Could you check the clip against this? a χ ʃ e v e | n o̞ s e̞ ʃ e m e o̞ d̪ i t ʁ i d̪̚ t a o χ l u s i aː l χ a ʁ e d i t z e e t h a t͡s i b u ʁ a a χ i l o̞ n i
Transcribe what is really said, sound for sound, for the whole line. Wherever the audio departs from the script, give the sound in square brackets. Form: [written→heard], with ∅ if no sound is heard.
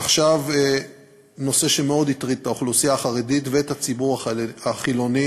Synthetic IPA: a χ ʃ [e→a] v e | n o̞ s e̞ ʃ e m e o̞ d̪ i t ʁ i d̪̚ t a o χ l u s i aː [l→∅] χ a ʁ e d i t [z→v] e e t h a t͡s i b u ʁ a a χ i l o̞ n i